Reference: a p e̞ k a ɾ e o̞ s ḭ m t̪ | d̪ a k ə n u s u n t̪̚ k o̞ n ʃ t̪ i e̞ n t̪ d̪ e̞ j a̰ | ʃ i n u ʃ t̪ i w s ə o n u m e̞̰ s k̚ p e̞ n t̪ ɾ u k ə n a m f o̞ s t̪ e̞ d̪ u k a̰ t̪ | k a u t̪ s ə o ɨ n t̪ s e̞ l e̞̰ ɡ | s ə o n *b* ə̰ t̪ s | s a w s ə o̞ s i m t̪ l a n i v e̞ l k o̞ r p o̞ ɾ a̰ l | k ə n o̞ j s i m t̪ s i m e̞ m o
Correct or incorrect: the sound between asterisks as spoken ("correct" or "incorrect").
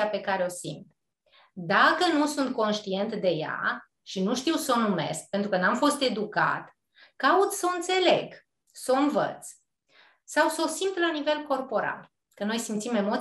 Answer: incorrect